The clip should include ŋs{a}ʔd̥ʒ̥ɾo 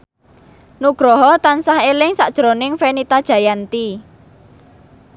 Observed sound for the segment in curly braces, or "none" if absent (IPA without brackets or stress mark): a